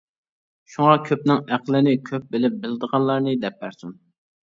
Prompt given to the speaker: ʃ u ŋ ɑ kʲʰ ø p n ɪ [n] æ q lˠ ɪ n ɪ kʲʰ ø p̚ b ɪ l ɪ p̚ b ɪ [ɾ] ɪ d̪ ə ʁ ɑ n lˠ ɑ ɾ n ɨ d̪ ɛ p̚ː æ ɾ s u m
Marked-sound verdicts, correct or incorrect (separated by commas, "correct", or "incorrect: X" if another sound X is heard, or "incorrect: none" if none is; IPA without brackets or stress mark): incorrect: ŋ, incorrect: l